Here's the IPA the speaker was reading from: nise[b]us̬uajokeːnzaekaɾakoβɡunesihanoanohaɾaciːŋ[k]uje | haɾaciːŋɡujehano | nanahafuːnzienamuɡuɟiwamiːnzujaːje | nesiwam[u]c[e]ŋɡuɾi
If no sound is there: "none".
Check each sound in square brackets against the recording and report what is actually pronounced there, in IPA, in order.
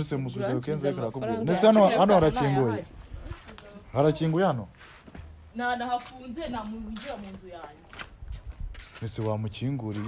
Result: m, ɡ, u, i

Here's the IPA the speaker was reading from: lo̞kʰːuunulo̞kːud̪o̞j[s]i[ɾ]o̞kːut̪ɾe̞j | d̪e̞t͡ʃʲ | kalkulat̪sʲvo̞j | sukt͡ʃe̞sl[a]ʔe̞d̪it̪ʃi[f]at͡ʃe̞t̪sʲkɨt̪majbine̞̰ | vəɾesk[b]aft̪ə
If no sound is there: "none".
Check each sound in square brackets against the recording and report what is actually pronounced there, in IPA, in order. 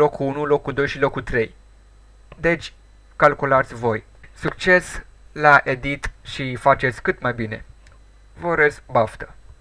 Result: ʃ, l, a, f, b

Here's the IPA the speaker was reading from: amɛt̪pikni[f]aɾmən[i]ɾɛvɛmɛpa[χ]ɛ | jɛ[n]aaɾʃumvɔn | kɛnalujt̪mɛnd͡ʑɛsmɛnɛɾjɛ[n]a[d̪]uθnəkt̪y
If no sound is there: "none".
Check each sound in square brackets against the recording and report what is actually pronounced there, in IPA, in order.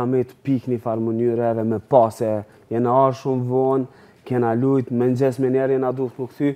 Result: f, y, s, n, n, d̪

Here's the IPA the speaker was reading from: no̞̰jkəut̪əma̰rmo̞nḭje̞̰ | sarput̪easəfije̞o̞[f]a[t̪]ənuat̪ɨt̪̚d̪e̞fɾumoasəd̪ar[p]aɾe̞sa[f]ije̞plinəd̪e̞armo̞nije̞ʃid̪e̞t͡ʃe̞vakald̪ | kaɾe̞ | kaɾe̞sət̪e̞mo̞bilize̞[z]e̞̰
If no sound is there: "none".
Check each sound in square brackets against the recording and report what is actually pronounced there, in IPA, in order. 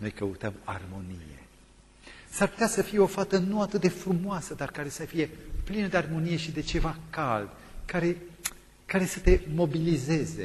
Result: f, t̪, k, f, z

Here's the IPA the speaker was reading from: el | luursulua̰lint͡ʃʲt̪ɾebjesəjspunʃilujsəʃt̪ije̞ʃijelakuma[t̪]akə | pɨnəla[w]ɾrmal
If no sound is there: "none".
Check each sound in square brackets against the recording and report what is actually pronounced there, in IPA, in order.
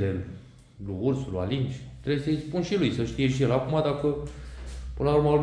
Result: d̪, u

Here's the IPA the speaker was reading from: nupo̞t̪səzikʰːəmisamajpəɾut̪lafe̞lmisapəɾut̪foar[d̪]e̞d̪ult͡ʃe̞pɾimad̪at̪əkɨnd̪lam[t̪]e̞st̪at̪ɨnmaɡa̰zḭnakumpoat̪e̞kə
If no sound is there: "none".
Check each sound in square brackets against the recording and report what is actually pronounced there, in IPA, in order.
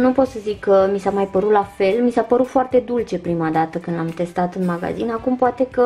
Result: t̪, t̪

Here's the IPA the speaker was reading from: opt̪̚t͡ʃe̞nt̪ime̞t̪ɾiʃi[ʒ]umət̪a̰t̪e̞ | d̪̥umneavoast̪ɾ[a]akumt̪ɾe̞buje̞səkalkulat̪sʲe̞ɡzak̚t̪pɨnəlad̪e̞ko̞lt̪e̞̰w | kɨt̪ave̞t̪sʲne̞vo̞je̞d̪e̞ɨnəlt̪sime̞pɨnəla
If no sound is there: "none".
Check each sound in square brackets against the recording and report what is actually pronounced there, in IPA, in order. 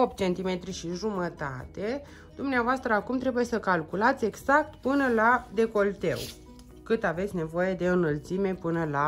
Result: ʒ, ə

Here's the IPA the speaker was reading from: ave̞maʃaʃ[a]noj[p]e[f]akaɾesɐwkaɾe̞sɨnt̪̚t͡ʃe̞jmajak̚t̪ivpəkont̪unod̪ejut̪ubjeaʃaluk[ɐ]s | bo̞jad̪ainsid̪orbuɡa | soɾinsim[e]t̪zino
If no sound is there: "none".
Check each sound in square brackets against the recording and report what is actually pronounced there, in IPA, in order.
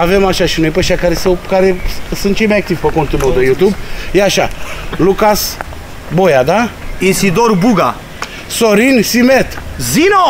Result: i, p, ʃ, a, e

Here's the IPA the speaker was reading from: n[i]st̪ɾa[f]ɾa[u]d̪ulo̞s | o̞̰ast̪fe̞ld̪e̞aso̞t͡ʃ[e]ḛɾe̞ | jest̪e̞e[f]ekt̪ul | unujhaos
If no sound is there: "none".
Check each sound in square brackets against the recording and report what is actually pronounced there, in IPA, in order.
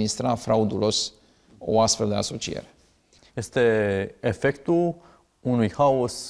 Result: i, f, u, i, f

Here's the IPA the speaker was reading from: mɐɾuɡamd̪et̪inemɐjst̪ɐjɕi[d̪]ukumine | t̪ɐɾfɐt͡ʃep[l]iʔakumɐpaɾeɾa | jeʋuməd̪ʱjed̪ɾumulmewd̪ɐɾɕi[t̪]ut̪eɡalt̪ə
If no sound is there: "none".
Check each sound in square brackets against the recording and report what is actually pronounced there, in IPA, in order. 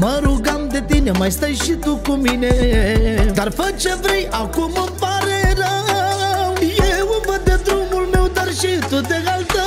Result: t̪, ɾ, t̪

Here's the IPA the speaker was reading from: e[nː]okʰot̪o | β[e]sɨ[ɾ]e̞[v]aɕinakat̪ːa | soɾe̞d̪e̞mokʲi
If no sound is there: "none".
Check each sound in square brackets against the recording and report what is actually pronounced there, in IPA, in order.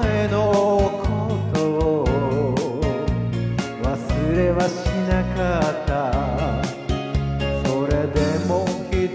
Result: n, a, ɾ, β

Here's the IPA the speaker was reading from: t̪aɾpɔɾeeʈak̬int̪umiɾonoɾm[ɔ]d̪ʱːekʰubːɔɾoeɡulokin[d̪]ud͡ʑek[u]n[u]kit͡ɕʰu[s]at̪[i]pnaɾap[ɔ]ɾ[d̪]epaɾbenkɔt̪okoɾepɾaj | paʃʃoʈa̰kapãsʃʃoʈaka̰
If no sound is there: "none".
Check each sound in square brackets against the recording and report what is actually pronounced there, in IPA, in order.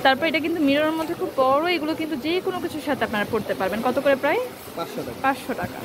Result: o, t̪, o, o, ʃ, a, o, t̪

